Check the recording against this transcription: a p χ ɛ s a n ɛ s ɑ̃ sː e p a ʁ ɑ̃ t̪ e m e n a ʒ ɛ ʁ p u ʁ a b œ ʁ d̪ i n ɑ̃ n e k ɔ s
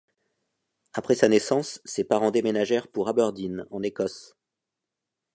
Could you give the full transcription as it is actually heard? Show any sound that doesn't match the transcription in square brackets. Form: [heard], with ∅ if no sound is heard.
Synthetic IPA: a p χ ɛ s a n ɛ s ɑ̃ sː e p a ʁ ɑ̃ [d̪] e m e n a ʒ ɛ ʁ p u ʁ a b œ ʁ d̪ i n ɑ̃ n e k ɔ s